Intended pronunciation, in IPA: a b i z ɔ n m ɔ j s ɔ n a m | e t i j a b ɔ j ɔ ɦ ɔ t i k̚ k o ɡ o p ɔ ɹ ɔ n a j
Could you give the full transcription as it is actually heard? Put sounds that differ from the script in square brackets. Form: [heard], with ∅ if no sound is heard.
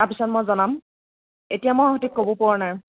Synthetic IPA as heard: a [p] i [s] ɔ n m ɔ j [z] ɔ n a m | e t i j a [m] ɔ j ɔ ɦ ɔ t i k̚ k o [b] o p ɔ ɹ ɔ n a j